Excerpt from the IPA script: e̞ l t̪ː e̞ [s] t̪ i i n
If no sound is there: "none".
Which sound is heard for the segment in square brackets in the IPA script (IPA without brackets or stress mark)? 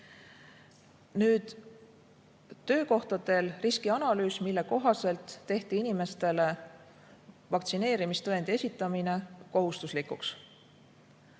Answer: h